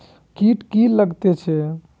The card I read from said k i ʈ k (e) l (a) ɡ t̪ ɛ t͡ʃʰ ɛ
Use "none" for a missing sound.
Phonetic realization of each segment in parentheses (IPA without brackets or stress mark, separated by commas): i, ə